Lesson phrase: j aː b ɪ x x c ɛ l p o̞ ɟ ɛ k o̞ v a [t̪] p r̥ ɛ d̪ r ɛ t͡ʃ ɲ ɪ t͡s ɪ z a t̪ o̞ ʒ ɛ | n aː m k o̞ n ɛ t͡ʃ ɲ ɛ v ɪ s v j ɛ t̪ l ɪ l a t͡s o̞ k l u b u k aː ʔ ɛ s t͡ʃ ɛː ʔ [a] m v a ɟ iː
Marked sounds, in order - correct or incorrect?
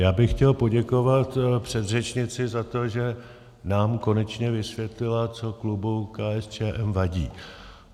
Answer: correct, incorrect

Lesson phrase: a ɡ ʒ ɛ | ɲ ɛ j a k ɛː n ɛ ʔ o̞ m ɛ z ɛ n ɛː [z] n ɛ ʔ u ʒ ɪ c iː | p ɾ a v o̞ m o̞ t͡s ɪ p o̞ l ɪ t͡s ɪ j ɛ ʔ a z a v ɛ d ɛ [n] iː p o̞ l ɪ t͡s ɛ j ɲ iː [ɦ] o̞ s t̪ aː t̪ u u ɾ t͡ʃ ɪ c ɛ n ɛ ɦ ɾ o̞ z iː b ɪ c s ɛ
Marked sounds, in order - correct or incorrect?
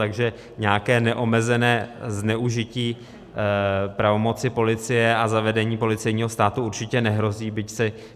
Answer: correct, incorrect, correct

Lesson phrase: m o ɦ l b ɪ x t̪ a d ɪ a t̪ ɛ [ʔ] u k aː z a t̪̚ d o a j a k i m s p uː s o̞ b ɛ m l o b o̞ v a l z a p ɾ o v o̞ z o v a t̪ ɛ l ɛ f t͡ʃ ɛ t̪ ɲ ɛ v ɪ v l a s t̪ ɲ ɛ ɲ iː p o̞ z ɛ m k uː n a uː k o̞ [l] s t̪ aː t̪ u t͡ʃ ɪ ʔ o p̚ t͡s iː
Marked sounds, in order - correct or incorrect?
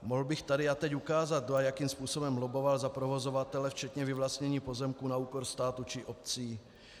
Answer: incorrect, incorrect

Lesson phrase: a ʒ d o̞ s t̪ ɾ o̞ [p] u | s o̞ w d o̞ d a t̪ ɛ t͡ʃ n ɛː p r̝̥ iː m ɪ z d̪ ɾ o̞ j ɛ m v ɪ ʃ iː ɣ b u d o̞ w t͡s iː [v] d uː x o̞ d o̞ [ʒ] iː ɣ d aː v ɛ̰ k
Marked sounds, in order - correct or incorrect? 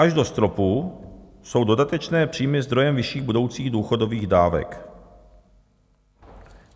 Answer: correct, incorrect, incorrect

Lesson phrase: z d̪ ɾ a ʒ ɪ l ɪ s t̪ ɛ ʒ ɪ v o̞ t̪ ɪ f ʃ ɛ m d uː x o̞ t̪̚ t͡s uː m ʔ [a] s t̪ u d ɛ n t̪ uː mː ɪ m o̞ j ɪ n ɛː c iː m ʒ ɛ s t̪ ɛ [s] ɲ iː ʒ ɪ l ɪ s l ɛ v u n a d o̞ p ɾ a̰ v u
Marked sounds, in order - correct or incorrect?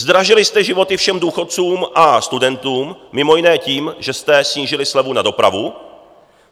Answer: correct, correct

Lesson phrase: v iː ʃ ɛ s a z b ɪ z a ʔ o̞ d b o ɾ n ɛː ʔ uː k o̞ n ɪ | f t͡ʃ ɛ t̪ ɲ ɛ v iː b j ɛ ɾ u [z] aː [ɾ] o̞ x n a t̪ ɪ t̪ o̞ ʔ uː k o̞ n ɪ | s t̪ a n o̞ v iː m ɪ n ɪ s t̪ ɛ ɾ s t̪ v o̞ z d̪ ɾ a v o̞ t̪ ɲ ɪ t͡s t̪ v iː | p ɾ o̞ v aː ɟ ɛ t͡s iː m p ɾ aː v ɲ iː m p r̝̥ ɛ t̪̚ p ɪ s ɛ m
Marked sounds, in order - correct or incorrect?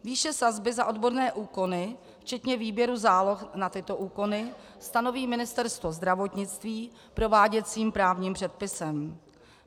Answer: correct, incorrect

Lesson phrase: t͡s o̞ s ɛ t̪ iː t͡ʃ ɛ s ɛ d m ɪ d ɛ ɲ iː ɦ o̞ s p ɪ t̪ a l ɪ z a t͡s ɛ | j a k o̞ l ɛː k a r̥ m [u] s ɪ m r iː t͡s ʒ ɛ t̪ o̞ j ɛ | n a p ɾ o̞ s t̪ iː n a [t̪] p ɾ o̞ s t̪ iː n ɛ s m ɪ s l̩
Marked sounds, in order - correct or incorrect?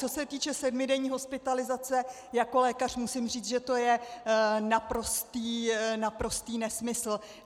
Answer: correct, incorrect

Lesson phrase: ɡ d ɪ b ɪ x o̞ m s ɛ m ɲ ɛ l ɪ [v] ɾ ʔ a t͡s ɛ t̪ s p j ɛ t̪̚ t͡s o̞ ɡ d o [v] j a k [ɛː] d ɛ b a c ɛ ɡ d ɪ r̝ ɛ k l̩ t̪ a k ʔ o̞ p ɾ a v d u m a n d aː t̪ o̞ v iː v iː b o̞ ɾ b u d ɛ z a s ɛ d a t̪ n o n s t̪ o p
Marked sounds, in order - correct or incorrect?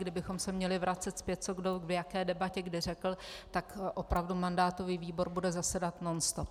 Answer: correct, correct, correct

